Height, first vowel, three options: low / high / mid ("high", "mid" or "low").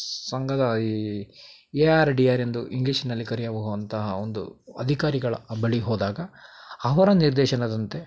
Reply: low